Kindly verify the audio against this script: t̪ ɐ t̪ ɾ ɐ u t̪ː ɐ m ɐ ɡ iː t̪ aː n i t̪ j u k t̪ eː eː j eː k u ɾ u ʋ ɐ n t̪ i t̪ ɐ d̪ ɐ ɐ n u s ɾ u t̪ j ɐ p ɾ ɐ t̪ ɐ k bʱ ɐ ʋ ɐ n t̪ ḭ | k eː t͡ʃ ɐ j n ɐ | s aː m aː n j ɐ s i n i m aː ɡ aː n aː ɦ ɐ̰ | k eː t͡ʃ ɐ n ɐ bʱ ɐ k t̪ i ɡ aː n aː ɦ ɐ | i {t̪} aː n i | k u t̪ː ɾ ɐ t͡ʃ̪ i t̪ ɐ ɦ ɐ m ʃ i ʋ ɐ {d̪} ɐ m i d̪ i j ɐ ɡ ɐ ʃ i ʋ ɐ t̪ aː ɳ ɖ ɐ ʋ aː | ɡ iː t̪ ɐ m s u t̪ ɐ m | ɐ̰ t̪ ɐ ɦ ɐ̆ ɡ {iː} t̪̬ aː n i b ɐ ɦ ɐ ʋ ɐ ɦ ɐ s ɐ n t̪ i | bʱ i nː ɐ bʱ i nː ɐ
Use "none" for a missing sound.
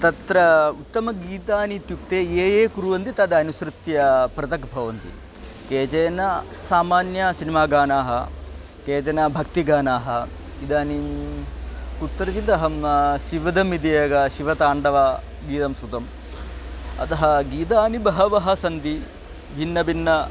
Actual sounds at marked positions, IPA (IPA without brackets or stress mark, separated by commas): d̪, d̪, iː